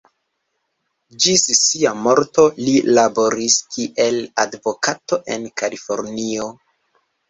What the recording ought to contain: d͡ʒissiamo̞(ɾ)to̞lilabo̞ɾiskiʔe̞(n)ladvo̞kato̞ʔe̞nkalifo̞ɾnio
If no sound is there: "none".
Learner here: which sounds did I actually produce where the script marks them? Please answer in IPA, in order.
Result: ɾ, none

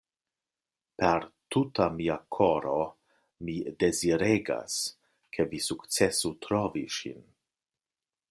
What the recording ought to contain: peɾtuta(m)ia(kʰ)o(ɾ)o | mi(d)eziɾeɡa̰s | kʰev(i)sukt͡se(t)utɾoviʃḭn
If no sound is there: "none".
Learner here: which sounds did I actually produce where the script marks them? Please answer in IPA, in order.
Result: m, kʰ, ɾ, d, i, s

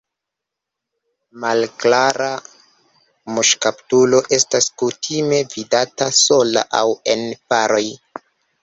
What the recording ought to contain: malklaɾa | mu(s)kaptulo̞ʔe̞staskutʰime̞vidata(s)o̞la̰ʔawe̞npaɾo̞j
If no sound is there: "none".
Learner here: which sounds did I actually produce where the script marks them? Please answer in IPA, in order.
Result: ʃ, s

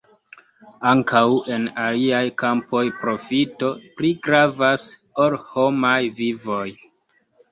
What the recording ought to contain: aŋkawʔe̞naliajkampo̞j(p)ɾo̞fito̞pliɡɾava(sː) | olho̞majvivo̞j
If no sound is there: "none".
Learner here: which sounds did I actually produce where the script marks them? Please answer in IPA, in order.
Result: p, s

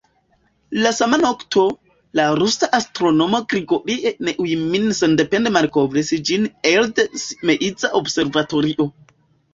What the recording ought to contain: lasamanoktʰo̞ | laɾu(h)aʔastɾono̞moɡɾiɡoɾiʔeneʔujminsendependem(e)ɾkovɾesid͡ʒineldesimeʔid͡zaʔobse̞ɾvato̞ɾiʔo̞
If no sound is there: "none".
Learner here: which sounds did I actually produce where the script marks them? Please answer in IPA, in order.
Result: s, a

